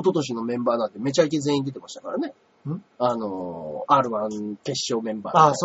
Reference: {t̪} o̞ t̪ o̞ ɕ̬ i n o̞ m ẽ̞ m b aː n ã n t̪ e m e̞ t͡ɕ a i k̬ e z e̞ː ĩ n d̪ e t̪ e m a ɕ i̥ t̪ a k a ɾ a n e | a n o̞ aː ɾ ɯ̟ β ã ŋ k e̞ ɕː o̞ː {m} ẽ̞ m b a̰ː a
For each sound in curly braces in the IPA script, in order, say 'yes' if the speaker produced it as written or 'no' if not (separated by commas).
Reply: yes, yes